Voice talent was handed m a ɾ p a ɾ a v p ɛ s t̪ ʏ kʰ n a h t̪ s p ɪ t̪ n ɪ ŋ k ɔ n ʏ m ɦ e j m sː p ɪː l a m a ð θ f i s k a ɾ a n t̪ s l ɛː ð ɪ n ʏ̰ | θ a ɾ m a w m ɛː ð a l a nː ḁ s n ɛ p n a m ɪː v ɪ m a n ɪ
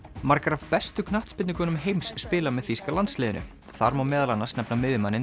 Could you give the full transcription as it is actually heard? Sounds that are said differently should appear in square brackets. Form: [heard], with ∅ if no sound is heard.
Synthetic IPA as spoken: m a ɾ [k] a ɾ a v p ɛ s t̪ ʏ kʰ n a h t̪ s p ɪ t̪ n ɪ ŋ k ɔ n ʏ m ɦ e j m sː p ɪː l a m [ɛ] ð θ f i s k a [l] a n t̪ s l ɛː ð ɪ n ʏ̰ | θ a ɾ m a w m ɛː ð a l a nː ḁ s n ɛ p n a m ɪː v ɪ m a n ɪ